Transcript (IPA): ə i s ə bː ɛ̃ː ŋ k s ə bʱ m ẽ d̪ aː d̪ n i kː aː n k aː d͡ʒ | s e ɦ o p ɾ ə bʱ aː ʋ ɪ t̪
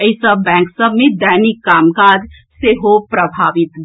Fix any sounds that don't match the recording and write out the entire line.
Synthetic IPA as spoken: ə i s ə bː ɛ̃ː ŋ k s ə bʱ m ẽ d̪ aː n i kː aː m k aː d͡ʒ | s e ɦ o p ɾ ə bʱ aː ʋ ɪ t̪

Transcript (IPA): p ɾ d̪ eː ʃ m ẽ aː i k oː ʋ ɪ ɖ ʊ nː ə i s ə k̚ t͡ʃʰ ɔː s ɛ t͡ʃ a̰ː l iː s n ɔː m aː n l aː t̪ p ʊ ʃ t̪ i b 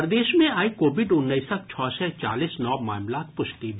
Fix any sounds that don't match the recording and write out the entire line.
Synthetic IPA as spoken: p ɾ d̪ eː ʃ m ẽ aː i k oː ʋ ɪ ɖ ʊ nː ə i s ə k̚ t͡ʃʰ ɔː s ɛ t͡ʃ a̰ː l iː s n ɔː m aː m l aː t̪ p ʊ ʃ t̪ i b

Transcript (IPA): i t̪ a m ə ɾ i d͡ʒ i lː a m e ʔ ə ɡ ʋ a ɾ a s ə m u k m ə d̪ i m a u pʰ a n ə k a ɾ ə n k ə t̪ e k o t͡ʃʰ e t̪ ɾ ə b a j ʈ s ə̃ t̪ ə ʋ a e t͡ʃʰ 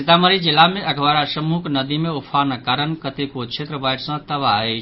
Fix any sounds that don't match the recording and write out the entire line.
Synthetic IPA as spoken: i t̪ a m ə ɾ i d͡ʒ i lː a m e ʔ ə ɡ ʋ a ɾ a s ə m u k n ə d̪ i m e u pʰ a n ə k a ɾ ə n k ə t̪ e k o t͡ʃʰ e t̪ ɾ ə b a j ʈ s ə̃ t̪ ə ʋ a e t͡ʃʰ

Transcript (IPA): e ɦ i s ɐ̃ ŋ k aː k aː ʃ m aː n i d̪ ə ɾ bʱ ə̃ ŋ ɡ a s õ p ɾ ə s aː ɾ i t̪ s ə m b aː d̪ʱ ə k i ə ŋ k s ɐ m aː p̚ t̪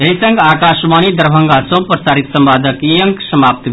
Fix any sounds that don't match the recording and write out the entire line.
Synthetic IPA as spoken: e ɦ i s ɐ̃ ŋ ɡ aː k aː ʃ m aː n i d̪ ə ɾ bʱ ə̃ ŋ ɡ a s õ p ɾ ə s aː ɾ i t̪ s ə m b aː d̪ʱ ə k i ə ŋ k s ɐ m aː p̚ t̪

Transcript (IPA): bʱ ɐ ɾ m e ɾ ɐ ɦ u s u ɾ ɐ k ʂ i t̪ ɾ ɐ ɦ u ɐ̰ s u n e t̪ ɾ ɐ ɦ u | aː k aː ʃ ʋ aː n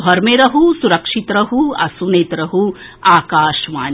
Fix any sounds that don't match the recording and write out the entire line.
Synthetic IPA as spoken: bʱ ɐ ɾ m e ɾ ɐ ɦ u s u ɾ ɐ k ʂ i t̪ ɾ ɐ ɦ u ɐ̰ s u n e t̪ ɾ ɐ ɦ u | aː k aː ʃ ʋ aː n

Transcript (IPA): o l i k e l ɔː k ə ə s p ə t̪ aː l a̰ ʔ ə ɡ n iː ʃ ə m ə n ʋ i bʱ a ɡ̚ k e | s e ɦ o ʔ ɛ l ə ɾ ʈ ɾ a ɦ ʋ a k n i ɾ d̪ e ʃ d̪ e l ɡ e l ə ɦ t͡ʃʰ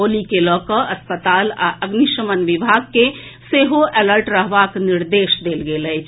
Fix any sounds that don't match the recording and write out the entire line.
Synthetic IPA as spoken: o l i k e l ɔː k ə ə s p ə t̪ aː l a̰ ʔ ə ɡ n i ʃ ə m ə n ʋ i bʱ a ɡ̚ k e | s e ɦ o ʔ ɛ l ə ɾ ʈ ɾ ə ɦ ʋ a k n i ɾ d̪ e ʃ d̪ e l ɡ e l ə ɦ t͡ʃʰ

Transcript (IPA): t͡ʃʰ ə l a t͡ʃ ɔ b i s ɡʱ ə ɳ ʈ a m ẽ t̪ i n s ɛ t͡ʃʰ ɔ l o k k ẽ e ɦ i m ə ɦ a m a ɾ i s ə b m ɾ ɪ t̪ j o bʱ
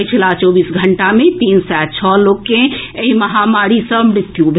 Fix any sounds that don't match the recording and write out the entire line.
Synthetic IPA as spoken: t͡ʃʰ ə l a t͡ʃ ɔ b i s ɡʱ ə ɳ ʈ a m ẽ t̪ i n s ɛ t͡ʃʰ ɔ l o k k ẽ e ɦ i m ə ɦ a m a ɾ i s ə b m ɾ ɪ t̪ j u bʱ

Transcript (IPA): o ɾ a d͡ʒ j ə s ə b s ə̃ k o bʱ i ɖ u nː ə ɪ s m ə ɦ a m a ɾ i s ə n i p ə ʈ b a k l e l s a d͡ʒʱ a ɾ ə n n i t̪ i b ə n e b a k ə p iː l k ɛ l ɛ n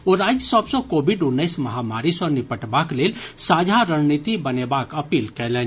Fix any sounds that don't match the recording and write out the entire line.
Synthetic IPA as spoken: o ɾ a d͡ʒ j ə s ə b s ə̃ k o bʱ i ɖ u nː ə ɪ s m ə ɦ a m a ɾ i s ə n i p ə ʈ b a k l e l s a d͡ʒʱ a ɾ ə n n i t̪ i b ə n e b a k ə p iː l k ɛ l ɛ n

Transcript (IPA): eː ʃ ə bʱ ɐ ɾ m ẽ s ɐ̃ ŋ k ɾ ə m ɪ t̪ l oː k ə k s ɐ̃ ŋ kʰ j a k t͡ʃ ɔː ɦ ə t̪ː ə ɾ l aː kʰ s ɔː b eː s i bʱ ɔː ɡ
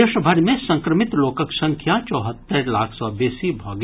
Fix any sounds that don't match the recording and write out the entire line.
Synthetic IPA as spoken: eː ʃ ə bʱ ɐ ɾ m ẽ s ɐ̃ ŋ k ɾ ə m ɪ t̪ l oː k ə k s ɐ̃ ŋ kʰ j a t͡ʃ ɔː ɦ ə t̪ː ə ɾ l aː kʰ s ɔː b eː s i bʱ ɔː ɡ

